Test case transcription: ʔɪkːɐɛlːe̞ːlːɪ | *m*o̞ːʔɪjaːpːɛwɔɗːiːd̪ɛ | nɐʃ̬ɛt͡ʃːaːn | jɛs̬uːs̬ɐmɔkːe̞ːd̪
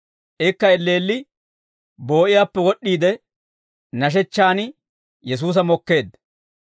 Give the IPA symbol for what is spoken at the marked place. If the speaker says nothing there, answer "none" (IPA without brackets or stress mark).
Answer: b